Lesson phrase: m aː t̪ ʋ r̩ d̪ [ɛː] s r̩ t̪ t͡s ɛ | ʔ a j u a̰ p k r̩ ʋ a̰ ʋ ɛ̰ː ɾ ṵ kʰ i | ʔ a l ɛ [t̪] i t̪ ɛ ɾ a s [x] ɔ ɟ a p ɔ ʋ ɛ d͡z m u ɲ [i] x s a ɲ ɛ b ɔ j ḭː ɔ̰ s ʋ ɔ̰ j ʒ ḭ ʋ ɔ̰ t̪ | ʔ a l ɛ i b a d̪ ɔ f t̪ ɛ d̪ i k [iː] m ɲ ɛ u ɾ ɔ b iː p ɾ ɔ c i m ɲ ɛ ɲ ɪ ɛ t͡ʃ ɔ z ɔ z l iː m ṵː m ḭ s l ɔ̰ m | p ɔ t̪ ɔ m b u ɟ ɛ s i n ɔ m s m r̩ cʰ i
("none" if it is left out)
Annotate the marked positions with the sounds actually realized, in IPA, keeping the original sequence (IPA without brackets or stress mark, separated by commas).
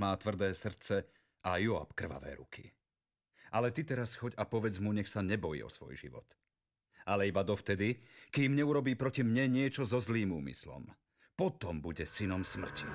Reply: ɛː, t̪, x, ɛ, iː